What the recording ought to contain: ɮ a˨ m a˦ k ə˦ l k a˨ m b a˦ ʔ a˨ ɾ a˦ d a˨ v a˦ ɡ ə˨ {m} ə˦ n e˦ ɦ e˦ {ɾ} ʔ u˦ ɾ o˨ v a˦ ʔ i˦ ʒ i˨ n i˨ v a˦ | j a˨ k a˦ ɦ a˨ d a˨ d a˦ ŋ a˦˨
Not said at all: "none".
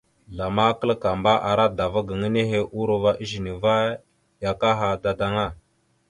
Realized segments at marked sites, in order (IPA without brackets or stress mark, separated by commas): ŋ, none